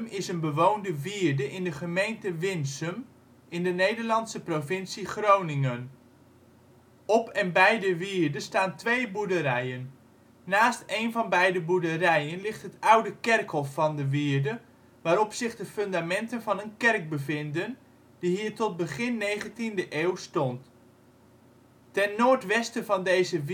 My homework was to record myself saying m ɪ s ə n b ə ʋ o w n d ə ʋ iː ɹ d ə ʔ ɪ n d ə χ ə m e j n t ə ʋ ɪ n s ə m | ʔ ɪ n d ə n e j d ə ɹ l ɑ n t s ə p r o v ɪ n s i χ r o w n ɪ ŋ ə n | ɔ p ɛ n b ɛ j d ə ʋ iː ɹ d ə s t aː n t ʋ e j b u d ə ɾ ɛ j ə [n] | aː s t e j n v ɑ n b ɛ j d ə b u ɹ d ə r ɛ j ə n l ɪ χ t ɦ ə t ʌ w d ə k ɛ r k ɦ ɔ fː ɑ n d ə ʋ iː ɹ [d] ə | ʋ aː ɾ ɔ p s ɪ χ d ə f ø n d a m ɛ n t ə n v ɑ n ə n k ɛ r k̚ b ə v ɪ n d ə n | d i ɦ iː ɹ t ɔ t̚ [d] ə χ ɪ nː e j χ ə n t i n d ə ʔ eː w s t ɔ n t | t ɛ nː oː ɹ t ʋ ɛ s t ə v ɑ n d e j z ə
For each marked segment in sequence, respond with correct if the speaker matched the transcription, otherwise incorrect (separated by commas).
incorrect, correct, incorrect